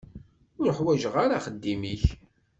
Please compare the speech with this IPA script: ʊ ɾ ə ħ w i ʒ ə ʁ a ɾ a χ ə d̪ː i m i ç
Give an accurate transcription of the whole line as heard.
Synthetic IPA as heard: ʊ ɾ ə ħ w æ ʒ ə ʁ a ɾ a χ ə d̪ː i m i ç